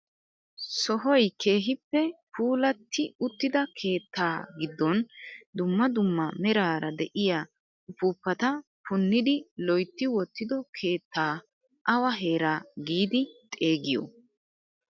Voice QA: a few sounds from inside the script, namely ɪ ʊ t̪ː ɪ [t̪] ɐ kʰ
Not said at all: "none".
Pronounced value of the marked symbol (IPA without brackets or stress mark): d̪